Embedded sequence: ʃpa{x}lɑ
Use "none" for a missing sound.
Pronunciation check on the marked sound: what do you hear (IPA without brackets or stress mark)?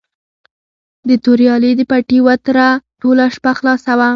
x